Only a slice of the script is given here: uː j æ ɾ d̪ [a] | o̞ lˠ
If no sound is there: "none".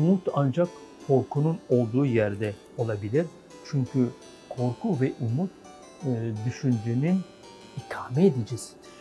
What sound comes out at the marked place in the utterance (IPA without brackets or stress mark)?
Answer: ɛ